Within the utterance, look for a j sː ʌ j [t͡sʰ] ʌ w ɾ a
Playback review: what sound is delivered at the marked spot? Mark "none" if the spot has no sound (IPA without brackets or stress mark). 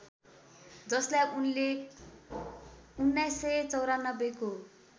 t͡s